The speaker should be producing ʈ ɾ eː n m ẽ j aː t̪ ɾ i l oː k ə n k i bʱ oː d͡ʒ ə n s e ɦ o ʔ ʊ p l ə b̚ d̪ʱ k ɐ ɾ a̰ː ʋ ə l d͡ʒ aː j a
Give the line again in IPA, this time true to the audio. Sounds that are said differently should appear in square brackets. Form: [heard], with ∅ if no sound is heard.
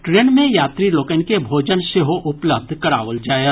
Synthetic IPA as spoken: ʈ ɾ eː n m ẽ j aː t̪ ɾ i l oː k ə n k [e] bʱ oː d͡ʒ ə n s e ɦ o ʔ ʊ p l ə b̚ d̪ʱ k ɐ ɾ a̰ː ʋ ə l d͡ʒ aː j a